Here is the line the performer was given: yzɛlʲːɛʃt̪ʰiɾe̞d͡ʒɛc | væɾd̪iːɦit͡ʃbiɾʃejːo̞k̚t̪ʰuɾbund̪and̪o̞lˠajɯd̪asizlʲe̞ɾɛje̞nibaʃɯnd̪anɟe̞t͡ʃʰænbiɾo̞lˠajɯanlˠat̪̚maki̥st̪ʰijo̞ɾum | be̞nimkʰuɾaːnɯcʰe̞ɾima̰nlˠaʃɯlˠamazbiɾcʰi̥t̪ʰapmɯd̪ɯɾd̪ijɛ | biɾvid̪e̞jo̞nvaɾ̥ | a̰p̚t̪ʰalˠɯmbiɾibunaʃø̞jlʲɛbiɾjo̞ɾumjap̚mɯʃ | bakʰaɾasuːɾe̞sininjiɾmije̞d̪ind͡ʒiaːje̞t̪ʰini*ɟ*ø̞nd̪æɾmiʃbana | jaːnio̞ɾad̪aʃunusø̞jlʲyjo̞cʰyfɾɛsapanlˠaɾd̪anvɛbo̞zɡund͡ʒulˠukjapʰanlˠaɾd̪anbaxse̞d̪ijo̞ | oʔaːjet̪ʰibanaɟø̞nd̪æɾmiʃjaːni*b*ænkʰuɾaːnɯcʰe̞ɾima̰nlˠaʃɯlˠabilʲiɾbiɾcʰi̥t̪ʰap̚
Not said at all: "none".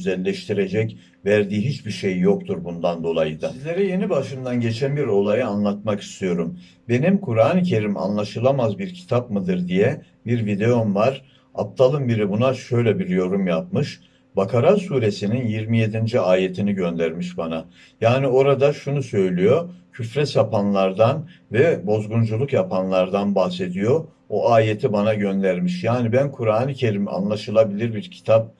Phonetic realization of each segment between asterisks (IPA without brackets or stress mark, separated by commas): ɟ, b